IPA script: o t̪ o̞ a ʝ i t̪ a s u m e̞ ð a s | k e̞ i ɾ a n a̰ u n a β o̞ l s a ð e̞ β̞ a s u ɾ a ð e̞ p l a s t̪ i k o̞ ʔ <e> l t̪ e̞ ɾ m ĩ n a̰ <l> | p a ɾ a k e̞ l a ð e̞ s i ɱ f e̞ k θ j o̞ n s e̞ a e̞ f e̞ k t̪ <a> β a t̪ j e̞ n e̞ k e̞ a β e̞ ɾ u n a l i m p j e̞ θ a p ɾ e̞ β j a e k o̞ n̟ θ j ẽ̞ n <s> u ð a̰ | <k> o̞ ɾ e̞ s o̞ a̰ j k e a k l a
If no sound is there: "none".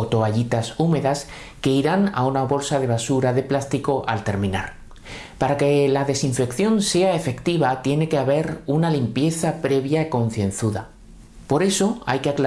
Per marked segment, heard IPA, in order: a, ɾ, i, θ, p

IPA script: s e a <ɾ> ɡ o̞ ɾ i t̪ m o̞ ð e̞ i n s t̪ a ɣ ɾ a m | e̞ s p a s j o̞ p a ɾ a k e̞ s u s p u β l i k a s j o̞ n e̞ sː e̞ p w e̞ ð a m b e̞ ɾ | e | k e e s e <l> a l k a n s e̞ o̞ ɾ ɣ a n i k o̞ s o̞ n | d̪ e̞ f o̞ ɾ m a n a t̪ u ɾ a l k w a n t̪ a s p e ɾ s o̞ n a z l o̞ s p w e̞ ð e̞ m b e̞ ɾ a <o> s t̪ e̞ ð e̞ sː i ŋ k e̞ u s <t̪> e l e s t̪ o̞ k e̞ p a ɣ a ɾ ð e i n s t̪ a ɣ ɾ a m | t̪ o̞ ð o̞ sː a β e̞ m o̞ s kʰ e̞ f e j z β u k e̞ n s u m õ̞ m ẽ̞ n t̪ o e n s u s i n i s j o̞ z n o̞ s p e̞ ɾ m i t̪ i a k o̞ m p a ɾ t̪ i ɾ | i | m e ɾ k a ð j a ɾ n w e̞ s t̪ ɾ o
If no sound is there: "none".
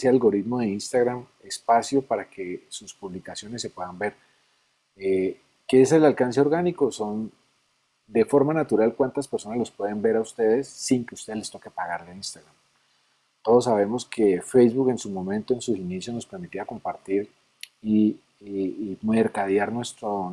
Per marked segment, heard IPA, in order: l, l, u, t̪

